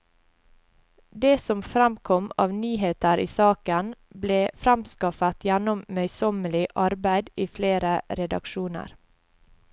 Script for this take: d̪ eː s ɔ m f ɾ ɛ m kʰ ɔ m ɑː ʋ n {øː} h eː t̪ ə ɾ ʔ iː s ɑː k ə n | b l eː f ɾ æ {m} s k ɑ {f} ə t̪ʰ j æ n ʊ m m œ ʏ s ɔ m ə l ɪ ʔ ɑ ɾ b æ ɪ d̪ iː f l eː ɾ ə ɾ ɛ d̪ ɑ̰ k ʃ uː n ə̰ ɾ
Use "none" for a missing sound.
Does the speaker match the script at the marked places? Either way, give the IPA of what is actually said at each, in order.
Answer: yː, m, f

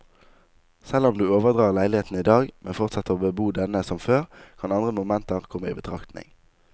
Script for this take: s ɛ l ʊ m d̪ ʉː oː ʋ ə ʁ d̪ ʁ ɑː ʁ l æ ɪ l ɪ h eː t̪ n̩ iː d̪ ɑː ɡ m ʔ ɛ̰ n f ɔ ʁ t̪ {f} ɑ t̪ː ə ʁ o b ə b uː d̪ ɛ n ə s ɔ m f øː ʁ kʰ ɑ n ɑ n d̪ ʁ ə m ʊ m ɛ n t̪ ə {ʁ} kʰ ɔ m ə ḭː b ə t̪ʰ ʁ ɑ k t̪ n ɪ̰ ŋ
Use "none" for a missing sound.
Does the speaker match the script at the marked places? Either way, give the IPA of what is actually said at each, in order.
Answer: s, ʁ

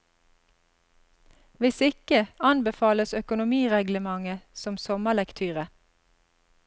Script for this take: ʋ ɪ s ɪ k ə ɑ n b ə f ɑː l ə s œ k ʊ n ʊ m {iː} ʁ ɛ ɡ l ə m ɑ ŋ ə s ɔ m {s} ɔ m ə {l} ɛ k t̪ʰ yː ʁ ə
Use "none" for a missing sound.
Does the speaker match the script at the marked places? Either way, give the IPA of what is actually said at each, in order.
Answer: iː, s, l

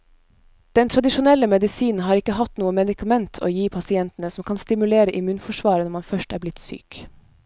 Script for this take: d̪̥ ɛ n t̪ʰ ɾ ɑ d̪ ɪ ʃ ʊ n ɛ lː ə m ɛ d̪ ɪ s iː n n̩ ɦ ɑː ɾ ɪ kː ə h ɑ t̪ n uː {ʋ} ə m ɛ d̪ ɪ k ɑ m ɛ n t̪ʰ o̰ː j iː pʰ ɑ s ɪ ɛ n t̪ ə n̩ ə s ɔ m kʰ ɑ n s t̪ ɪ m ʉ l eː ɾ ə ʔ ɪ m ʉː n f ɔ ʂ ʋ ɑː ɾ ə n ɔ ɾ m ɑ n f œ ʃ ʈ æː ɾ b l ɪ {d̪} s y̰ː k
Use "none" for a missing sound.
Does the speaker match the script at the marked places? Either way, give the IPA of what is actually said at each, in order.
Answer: none, t̪

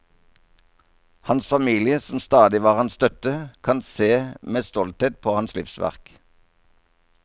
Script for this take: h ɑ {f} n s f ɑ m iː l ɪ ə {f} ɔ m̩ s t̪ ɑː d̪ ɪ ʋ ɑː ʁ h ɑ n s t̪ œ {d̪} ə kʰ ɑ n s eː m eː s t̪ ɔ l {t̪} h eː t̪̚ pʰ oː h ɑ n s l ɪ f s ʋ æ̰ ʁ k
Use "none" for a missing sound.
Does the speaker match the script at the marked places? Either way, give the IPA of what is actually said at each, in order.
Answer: none, s, t̪, t̪

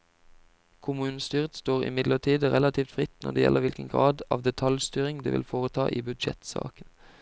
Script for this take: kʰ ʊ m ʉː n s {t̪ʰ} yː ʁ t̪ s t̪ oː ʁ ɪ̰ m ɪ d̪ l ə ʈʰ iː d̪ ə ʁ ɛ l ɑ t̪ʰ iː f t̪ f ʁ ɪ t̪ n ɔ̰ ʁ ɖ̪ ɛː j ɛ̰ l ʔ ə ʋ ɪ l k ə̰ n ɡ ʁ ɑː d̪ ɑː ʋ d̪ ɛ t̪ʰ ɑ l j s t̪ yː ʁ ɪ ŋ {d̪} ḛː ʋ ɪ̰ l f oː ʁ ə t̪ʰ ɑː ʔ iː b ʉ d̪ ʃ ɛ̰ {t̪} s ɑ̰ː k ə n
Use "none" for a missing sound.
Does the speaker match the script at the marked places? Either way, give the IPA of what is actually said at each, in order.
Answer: t̪, d̪, t̪

